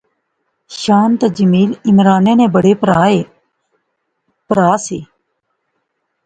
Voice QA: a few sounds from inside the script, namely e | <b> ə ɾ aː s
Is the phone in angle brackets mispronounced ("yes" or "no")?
yes